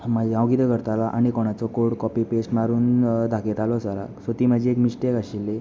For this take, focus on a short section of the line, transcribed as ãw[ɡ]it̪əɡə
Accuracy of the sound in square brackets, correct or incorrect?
correct